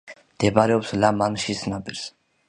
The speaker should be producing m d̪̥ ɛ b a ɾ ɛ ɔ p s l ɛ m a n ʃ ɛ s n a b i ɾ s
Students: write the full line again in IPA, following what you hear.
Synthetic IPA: m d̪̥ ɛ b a ɾ ɛ ɔ p s l a m a n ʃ i s n a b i ɾ s